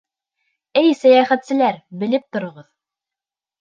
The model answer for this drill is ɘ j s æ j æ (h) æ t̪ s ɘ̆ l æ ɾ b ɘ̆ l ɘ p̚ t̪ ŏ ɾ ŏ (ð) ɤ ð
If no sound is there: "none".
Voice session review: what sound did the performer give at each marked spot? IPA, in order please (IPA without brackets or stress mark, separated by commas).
χ, ʁ